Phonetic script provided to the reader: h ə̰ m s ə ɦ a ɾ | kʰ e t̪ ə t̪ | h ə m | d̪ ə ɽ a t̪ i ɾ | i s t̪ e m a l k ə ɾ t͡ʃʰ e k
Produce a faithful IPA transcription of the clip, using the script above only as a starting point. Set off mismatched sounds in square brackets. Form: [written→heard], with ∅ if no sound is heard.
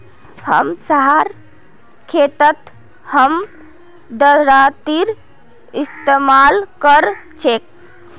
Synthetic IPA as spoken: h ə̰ m s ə ɦ a ɾ | kʰ e t̪ ə t̪ | h ə m | d̪ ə [ɽ→ɾ] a t̪ i ɾ | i s t̪ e m a l k ə ɾ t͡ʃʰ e k